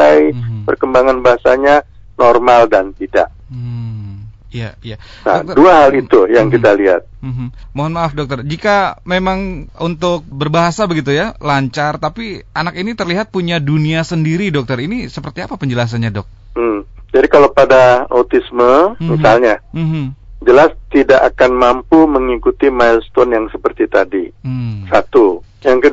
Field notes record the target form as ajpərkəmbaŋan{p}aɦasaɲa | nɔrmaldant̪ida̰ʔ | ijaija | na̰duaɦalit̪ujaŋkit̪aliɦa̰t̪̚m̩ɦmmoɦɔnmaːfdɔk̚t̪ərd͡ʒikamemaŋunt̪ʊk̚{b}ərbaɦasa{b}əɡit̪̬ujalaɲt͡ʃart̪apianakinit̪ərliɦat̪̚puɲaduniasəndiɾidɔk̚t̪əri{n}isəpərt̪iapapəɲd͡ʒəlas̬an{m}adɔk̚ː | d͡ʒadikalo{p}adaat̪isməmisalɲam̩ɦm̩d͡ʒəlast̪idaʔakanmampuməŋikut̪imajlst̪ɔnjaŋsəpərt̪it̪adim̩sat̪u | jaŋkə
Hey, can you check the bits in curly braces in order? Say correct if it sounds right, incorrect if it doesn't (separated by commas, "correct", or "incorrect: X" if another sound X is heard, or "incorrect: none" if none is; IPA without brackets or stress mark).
incorrect: b, correct, correct, correct, incorrect: ɲ, correct